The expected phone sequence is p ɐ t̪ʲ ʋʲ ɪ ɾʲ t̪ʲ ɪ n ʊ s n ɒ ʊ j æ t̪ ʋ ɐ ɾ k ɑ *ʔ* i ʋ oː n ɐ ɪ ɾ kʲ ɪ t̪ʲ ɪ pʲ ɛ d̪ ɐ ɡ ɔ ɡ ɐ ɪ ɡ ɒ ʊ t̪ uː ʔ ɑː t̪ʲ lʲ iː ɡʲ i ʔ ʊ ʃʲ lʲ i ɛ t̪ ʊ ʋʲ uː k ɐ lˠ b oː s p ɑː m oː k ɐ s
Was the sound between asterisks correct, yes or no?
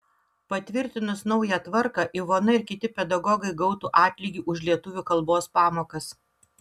yes